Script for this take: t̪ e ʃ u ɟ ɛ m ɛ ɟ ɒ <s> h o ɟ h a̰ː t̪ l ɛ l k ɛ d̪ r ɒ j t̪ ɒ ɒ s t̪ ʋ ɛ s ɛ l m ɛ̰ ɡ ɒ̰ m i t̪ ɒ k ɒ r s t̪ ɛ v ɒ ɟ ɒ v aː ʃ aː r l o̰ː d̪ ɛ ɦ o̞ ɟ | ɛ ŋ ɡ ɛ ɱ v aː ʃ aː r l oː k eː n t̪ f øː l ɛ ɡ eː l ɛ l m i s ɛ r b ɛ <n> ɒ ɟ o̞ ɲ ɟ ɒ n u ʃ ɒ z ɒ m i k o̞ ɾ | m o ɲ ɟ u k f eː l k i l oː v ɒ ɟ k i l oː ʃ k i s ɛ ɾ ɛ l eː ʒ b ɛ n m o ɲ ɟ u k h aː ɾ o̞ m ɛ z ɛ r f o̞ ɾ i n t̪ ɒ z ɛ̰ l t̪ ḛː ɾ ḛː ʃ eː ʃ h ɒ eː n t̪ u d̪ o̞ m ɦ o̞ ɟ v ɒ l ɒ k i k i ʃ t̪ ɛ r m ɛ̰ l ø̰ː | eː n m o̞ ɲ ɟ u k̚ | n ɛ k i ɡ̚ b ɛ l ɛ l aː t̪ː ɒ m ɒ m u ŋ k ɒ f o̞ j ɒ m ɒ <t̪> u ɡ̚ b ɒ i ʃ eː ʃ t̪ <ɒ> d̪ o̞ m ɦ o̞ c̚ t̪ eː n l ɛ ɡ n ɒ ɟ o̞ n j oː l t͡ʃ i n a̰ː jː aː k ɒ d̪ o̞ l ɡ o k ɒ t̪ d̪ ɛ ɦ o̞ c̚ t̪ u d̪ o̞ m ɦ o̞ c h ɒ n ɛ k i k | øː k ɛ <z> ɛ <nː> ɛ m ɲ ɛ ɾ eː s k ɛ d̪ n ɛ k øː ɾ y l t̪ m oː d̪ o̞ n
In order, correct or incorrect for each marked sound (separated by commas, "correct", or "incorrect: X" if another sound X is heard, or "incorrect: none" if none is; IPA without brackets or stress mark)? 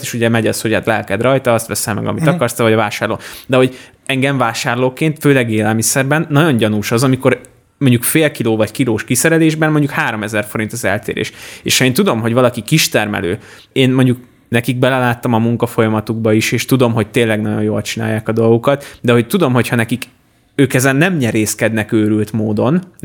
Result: correct, incorrect: nː, correct, incorrect: u, correct, correct